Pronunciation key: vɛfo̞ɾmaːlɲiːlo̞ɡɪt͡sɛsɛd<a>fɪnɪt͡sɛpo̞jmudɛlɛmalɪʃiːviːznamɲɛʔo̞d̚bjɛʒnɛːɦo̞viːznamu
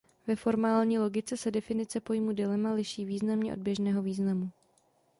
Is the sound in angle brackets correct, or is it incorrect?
incorrect